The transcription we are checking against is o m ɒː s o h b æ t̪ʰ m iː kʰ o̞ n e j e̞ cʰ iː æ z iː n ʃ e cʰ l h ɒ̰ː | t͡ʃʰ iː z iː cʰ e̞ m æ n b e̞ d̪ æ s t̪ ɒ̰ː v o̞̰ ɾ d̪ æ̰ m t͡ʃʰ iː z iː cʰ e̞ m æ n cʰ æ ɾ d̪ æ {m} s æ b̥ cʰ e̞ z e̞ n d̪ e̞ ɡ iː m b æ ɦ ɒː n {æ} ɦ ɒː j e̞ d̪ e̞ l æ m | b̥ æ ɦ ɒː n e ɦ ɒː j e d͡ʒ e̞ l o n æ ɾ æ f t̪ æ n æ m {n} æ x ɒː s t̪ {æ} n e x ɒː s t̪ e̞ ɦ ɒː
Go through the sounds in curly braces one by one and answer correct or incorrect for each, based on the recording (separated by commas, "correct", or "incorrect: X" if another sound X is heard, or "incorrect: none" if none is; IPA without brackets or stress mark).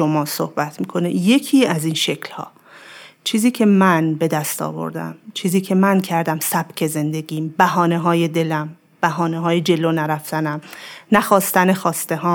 correct, incorrect: e, correct, correct